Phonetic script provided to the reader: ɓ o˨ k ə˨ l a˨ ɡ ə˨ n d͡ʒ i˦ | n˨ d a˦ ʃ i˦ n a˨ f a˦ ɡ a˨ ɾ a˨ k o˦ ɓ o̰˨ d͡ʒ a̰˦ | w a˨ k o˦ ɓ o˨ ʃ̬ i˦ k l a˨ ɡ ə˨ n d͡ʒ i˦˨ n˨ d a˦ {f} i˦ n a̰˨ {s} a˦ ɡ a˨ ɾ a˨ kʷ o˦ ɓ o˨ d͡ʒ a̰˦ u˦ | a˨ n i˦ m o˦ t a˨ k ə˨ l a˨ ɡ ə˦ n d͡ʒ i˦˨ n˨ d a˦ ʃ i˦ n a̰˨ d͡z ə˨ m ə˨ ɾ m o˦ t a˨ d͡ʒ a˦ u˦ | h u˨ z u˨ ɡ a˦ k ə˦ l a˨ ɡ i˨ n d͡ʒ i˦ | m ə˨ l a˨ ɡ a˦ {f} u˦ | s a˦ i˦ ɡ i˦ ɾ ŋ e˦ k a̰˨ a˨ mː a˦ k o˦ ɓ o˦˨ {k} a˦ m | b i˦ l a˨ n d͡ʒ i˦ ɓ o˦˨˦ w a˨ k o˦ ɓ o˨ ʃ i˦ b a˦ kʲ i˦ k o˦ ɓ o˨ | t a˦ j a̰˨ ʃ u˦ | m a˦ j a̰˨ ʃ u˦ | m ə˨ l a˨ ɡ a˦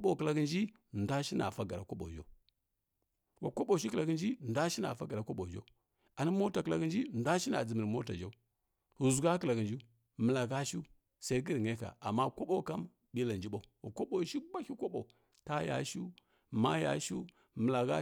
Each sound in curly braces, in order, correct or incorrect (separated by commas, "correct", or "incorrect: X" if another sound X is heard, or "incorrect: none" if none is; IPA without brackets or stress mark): incorrect: ʃ, incorrect: f, incorrect: ʃ, correct